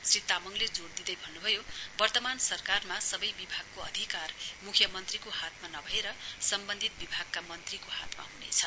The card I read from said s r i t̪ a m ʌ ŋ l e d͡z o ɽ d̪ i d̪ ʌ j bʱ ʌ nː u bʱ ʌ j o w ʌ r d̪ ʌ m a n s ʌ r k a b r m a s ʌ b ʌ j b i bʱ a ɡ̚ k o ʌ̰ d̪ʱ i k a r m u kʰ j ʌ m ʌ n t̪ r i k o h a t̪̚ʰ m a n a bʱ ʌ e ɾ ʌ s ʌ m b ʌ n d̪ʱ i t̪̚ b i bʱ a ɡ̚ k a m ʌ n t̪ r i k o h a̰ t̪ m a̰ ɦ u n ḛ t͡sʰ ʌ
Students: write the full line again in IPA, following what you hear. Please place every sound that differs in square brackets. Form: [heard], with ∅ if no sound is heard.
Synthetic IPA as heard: s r i t̪ a m ʌ ŋ l e d͡z o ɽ d̪ i d̪ ʌ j bʱ ʌ nː u bʱ ʌ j o [b] ʌ r [t̪] ʌ m a n s ʌ r k a [∅] r m a s ʌ b ʌ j b i bʱ a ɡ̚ k o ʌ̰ d̪ʱ i k a r m u kʰ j ʌ m ʌ n t̪ r i k o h a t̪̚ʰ m a n [ʌ] bʱ ʌ e ɾ ʌ s ʌ m b ʌ n d̪ʱ i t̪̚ b i bʱ a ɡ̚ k a m ʌ n t̪ r i k o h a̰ t̪ m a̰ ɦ u n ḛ t͡sʰ ʌ

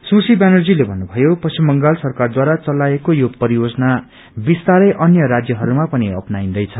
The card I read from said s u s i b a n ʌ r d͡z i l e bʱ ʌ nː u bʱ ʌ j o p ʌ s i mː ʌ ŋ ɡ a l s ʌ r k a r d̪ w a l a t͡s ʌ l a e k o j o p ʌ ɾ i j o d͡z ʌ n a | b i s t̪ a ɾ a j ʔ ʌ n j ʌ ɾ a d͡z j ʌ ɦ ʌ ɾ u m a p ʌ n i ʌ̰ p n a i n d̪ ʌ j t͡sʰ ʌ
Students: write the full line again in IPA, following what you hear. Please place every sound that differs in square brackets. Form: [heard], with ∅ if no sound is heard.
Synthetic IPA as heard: s u s i b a n ʌ r d͡z i l e bʱ ʌ nː u bʱ ʌ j o p ʌ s i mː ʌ ŋ ɡ a l s ʌ r k a r d̪ w a [ɾ] a t͡s ʌ l a e k o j o p ʌ ɾ i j o d͡z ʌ n a | b i s t̪ a ɾ [ʌ] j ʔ ʌ n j ʌ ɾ a d͡z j ʌ ɦ ʌ ɾ u m a p ʌ n i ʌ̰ p n a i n d̪ ʌ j t͡sʰ ʌ

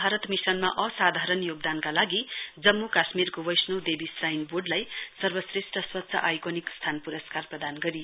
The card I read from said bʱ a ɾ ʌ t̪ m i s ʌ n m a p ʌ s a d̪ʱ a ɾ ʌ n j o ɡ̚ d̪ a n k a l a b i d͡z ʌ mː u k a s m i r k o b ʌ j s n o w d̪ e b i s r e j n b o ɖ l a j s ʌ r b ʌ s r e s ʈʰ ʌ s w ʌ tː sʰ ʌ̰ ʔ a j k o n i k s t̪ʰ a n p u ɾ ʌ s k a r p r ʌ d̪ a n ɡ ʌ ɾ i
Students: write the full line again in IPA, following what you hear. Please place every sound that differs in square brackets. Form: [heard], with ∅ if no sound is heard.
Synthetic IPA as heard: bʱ a ɾ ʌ t̪ m i s ʌ n m a [ʔ] ʌ s a d̪ʱ a ɾ ʌ n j o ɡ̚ d̪ a n k a l a [ɡ] i d͡z ʌ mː u k a s m i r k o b ʌ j s n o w d̪ e b i s r [a] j n b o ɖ l a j s ʌ r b ʌ s r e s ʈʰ ʌ s w ʌ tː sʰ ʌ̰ ʔ a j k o n i k s t̪ʰ a n p u ɾ ʌ s k a r p r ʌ d̪ a n ɡ ʌ ɾ i

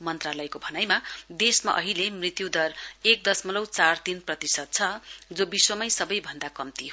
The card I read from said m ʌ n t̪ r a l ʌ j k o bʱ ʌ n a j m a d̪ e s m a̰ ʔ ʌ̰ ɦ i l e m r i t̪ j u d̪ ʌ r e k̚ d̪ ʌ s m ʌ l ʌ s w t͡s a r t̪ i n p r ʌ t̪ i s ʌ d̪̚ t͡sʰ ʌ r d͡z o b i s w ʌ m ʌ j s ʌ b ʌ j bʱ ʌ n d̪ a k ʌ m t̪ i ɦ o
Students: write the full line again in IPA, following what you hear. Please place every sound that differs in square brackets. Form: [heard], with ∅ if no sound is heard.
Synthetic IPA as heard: m ʌ n t̪ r a l ʌ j k o bʱ ʌ n a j m a d̪ e s m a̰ ʔ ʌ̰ ɦ i l e m r i t̪ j u d̪ ʌ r e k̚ d̪ ʌ s m ʌ l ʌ [∅] w t͡s a r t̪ i n p r ʌ t̪ i s ʌ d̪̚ t͡sʰ ʌ [∅] d͡z o b i s w ʌ m ʌ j s ʌ b ʌ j bʱ ʌ n d̪ a k ʌ m t̪ i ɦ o

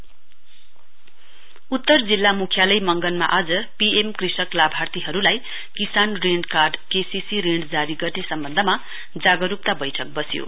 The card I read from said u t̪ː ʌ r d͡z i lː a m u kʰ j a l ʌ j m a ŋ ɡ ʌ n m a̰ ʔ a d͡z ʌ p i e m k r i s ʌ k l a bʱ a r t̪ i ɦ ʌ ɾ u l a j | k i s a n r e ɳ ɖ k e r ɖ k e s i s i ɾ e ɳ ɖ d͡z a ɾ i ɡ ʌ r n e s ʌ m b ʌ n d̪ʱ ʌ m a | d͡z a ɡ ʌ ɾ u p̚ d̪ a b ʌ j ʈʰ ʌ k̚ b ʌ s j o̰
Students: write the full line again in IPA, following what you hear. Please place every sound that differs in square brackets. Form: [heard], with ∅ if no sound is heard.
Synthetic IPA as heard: u t̪ː ʌ r d͡z i lː a m u kʰ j a l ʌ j m [ʌ] ŋ ɡ ʌ n m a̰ ʔ a d͡z ʌ p i e m k r i s ʌ k l a bʱ a r t̪ i ɦ ʌ ɾ u l a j | k i s a n r e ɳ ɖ k [a] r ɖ k e s i s i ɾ e ɳ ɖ d͡z a ɾ i ɡ ʌ r n e s ʌ m b ʌ n d̪ʱ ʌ m a | d͡z a ɡ ʌ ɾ u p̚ [t̪] a b ʌ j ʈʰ ʌ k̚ b ʌ s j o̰

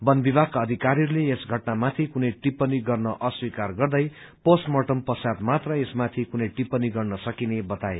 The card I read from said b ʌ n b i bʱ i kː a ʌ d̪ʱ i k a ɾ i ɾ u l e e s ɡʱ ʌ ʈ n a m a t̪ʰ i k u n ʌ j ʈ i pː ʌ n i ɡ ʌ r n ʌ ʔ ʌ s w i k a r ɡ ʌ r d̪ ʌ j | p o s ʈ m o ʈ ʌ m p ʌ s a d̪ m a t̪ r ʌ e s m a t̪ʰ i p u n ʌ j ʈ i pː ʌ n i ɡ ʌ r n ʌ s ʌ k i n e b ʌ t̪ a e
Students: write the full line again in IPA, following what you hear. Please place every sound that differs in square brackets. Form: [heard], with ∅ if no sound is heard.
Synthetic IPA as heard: b ʌ n b i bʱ [a] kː a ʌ d̪ʱ i k a ɾ i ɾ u l e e s ɡʱ ʌ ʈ n a m a t̪ʰ i k u n ʌ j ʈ i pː ʌ n i ɡ ʌ r n ʌ ʔ ʌ s w i k a r ɡ ʌ r d̪ ʌ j | p o s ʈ m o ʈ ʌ m p ʌ s a d̪ m a t̪ r ʌ e s m a t̪ʰ i [k] u n ʌ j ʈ i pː ʌ n i ɡ ʌ r n ʌ s ʌ k i n e b ʌ t̪ a e

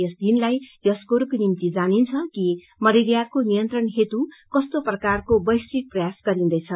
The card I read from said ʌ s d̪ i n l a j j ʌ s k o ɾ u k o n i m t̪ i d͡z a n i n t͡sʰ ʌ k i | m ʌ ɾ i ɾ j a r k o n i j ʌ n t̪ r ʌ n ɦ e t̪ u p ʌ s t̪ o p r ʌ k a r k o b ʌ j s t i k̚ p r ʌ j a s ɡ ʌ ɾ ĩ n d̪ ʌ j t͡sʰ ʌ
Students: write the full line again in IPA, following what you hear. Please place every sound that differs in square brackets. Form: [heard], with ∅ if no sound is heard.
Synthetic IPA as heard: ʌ s d̪ i n l a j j ʌ s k o ɾ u k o n i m t̪ i d͡z a n i n t͡sʰ ʌ k i | m ʌ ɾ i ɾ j a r k o n i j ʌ n t̪ r ʌ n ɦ e t̪ u [k] ʌ s t̪ o p r ʌ k a r k o b ʌ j s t i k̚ p r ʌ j a s ɡ ʌ ɾ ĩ n d̪ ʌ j t͡sʰ ʌ

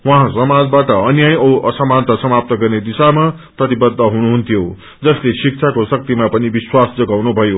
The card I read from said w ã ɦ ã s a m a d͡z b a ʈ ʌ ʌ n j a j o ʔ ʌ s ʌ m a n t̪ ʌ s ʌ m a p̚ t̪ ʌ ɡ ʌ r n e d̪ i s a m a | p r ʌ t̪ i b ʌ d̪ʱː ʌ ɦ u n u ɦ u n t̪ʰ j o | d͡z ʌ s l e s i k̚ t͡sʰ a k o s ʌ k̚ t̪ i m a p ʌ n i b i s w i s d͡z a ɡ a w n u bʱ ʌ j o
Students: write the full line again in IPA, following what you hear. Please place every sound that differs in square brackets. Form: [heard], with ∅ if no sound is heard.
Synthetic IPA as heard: w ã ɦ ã s [ʌ] m a d͡z b a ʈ ʌ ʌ n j a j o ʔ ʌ s ʌ m a n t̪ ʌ s ʌ m a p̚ t̪ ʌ ɡ ʌ r n e d̪ i s a m a | p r ʌ t̪ i b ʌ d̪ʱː ʌ ɦ u n u ɦ u n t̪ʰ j o | d͡z ʌ s l e s i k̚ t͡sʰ a k o s ʌ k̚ t̪ i m a p ʌ n i b i s w [a] s d͡z [ʌ] ɡ a w n u bʱ ʌ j o

